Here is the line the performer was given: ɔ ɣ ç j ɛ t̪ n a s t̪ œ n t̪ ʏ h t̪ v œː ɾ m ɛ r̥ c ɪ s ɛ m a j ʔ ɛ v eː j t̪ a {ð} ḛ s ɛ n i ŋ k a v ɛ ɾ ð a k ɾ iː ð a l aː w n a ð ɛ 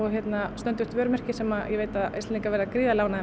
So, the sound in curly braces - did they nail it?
yes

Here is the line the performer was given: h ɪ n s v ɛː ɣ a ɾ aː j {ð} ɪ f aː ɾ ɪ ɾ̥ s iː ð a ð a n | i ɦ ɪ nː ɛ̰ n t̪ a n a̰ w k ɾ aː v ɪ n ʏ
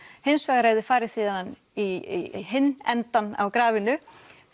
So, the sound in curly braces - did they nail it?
yes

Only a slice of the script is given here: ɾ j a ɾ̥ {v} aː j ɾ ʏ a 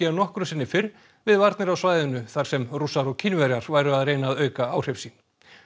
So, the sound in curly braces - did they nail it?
yes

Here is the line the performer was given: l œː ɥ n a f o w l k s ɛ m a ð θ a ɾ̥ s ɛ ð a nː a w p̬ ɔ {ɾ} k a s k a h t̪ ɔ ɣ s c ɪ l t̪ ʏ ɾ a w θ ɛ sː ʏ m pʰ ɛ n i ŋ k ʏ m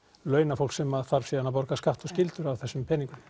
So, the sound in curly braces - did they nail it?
yes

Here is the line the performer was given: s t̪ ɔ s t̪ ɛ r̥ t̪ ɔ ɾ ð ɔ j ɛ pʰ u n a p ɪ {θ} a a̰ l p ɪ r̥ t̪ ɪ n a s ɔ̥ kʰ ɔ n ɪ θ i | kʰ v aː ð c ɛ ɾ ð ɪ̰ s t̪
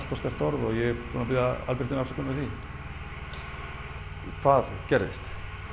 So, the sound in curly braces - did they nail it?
no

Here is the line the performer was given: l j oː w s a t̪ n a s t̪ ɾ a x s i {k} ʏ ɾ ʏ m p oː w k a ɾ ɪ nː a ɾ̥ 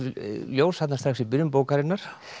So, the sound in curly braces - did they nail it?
no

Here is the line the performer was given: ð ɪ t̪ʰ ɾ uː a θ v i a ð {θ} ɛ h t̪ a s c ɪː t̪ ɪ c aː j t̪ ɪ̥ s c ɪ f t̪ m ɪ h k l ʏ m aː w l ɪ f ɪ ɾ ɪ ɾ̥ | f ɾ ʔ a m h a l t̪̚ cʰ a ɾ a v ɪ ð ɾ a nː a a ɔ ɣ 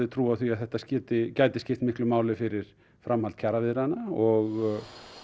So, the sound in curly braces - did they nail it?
yes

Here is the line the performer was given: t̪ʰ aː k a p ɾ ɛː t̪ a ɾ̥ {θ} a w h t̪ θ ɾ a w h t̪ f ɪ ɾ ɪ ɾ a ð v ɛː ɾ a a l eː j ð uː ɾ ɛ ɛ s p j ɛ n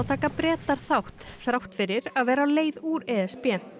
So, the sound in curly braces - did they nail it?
yes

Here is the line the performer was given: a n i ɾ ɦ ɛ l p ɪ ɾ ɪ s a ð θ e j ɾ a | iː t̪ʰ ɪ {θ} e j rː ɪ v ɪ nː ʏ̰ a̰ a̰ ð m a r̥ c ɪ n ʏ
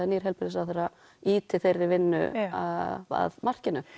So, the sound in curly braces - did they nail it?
yes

